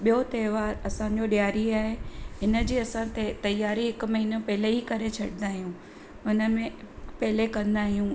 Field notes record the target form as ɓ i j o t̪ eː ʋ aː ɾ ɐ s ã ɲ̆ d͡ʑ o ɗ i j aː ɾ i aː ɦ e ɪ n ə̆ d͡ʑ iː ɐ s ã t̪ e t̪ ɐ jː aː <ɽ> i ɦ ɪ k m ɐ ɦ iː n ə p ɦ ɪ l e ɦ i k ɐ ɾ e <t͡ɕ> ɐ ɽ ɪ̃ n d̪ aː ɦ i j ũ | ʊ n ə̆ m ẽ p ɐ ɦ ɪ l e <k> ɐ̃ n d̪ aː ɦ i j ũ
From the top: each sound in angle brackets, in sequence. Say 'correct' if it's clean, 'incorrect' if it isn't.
incorrect, incorrect, correct

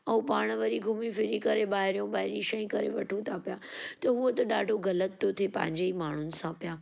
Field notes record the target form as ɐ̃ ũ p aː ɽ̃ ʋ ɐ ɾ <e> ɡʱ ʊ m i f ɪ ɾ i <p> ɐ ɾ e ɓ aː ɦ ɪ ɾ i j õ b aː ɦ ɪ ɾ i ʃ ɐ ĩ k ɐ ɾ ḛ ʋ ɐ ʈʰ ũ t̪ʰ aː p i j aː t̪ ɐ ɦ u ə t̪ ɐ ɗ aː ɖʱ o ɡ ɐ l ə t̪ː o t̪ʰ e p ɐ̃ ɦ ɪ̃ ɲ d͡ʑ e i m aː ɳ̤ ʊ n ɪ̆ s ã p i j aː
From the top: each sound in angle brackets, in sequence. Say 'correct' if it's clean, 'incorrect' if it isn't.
incorrect, incorrect

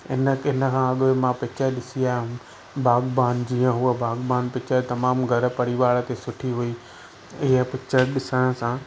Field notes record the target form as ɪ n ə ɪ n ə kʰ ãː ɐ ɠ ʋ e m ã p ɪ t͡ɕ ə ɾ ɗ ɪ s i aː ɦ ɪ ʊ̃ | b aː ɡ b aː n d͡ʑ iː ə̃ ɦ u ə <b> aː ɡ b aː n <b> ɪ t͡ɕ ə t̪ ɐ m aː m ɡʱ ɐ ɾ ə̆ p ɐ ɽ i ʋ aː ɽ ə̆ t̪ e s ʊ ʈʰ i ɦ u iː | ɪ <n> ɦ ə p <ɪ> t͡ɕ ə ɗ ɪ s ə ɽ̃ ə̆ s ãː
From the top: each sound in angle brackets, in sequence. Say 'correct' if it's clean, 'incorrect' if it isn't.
correct, incorrect, incorrect, correct

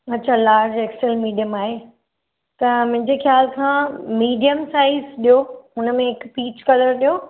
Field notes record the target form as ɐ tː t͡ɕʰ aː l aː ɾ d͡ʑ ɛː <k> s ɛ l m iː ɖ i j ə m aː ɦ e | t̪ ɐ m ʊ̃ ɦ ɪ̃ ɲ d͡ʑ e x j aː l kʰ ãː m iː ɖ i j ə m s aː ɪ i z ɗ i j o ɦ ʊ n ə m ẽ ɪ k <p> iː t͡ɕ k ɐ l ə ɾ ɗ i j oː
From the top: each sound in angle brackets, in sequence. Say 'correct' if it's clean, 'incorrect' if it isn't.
correct, correct

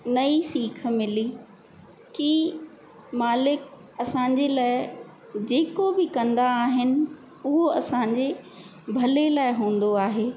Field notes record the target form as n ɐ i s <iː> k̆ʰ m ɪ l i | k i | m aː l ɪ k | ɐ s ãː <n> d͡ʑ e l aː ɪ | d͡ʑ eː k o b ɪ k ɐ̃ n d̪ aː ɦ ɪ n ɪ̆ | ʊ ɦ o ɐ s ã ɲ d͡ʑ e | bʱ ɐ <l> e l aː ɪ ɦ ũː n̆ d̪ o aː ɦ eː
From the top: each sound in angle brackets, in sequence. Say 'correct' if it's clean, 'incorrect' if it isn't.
correct, incorrect, correct

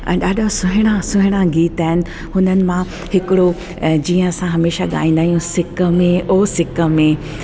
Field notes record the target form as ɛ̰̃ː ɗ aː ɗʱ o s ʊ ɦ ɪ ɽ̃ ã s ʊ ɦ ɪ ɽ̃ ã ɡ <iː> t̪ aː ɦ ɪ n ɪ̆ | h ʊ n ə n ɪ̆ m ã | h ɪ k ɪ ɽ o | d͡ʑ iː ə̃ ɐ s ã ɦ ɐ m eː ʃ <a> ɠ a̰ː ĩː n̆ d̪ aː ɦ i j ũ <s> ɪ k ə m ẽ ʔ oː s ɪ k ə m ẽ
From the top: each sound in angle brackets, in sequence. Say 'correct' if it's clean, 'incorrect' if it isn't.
correct, correct, correct

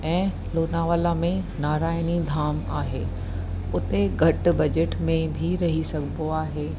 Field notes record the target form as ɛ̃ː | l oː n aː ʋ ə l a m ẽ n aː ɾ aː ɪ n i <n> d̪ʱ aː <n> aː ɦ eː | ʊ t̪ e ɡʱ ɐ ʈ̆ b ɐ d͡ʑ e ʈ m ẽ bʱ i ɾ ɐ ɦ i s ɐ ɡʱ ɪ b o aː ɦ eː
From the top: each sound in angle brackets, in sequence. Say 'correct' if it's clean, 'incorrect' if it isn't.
incorrect, incorrect

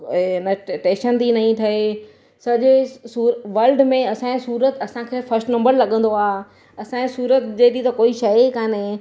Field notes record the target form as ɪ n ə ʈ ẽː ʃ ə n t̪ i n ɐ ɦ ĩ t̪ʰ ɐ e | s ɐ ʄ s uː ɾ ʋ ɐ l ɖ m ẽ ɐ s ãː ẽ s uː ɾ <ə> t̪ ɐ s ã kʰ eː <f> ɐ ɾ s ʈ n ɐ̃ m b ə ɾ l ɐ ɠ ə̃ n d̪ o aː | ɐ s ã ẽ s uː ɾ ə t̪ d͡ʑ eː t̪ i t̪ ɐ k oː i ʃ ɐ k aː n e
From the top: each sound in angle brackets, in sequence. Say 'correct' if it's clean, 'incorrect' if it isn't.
correct, correct

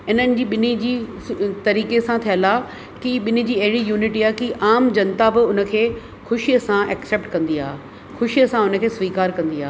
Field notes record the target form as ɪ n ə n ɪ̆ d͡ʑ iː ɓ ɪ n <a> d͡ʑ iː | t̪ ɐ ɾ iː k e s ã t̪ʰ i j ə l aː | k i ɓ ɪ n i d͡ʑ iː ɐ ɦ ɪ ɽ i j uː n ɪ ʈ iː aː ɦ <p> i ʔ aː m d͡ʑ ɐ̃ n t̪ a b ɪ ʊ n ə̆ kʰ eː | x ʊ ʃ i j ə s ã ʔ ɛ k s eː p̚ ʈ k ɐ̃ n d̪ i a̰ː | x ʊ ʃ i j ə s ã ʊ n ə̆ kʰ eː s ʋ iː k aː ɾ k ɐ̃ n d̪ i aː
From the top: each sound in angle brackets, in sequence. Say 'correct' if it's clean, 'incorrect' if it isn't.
incorrect, incorrect

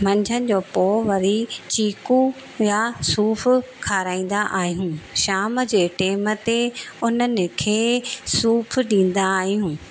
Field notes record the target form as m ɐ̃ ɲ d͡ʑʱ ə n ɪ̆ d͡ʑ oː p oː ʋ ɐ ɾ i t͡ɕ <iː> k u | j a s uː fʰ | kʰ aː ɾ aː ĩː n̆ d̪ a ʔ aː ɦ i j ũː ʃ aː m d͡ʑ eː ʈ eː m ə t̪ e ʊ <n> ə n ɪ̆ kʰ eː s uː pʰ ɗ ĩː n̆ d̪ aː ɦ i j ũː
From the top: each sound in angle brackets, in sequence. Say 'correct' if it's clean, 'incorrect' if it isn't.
correct, correct

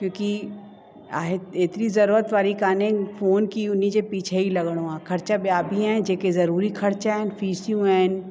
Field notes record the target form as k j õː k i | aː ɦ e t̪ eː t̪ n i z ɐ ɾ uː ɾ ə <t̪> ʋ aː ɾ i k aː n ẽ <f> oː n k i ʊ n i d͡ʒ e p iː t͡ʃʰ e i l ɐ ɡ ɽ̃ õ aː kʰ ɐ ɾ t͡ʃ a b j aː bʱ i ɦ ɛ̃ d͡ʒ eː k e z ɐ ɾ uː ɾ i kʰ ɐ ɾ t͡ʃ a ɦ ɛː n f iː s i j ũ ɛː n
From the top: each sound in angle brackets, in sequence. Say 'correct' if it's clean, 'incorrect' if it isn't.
correct, correct

